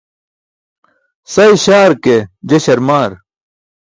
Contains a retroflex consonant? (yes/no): no